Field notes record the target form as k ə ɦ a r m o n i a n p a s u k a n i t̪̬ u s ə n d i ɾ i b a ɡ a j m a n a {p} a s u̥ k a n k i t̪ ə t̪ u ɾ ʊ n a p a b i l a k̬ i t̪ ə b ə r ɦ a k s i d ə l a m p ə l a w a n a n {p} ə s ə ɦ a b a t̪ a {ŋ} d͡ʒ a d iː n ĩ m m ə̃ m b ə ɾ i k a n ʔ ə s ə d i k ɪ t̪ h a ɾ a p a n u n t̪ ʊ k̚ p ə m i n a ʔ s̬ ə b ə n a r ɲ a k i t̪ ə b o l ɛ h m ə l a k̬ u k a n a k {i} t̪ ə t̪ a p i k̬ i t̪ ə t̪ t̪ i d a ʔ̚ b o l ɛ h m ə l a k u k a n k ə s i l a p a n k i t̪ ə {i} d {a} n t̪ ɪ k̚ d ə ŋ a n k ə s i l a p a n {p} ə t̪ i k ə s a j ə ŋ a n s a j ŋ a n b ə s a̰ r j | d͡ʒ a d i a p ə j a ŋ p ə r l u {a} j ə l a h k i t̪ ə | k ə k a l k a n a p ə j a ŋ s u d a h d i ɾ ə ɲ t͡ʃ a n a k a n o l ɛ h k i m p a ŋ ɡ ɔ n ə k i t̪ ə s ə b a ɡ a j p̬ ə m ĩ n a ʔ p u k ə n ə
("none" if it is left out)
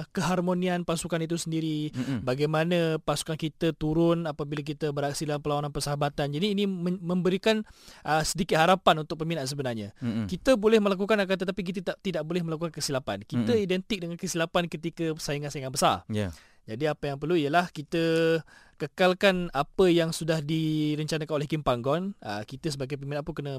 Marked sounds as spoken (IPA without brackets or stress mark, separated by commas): p, p, n, a, i, ɛ, k, i